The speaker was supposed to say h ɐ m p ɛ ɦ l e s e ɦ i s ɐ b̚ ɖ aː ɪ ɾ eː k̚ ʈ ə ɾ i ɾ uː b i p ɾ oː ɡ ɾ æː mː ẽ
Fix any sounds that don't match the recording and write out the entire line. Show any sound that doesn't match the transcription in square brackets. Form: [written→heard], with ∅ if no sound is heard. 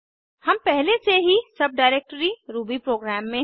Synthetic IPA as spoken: h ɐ m p ɛ ɦ l e s e ɦ i s ɐ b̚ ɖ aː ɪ ɾ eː k̚ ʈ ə ɾ i ɾ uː b i p ɾ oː ɡ ɾ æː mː ẽ

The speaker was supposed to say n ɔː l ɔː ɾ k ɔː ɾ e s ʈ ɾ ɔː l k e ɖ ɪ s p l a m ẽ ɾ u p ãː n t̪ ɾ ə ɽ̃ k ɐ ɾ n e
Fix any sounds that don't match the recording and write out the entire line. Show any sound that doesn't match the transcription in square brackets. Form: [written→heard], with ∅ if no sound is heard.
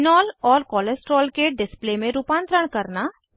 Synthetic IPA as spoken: n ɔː l ɔː ɾ k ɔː [ɾ→l] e s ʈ ɾ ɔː l k e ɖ ɪ s p l [a→e] m ẽ ɾ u p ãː n t̪ ɾ ə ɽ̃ k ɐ ɾ n [e→a]

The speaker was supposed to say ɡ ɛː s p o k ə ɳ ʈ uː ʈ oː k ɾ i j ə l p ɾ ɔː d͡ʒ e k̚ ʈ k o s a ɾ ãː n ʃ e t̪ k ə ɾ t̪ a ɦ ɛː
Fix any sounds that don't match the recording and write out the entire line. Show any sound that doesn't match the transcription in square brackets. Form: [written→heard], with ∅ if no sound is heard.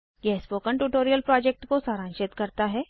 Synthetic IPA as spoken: ɡ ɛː s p o k ə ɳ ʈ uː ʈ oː [k→∅] ɾ i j ə l p ɾ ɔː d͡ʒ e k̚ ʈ k o s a ɾ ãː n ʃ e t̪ k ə ɾ t̪ a ɦ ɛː

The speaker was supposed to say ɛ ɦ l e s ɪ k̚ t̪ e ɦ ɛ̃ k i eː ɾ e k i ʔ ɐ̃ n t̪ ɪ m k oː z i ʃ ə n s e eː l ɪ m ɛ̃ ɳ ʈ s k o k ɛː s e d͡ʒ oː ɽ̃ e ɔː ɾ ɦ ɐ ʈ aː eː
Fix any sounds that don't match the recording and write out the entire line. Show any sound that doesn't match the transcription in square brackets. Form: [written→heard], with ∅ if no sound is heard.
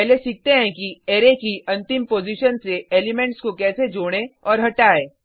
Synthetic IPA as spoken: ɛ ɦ l e s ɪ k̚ t̪ e ɦ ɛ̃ k i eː ɾ e k i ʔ ɐ̃ n t̪ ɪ m [k→p] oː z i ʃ ə n s e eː l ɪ m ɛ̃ ɳ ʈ s k o k ɛː s e d͡ʒ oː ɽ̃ e ɔː ɾ ɦ ɐ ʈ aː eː

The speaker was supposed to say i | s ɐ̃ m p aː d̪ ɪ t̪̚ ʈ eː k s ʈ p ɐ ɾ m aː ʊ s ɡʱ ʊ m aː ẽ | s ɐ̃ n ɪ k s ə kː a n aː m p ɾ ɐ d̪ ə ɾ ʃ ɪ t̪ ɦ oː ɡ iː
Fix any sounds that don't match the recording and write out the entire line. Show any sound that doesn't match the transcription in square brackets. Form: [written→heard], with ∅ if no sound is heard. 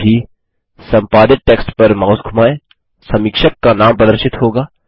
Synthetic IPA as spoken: i | s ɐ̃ m p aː d̪ ɪ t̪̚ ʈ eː k s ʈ p ɐ ɾ m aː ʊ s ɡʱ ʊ m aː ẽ | s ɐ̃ [n→m] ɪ k [s→ʃ] ə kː a n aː m p ɾ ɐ d̪ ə ɾ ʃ ɪ t̪ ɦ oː ɡ [iː→aː]

